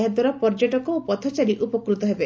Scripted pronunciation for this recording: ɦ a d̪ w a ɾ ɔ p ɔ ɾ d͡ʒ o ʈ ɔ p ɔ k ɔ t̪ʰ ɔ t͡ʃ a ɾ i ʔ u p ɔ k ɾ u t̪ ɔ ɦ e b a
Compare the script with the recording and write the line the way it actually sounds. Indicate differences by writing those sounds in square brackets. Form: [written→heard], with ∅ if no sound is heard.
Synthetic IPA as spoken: ɦ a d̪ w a ɾ ɔ p ɔ ɾ d͡ʒ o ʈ ɔ [p→k] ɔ [k→p] ɔ t̪ʰ ɔ t͡ʃ a ɾ i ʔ u p ɔ k ɾ u t̪ ɔ ɦ e b [a→e]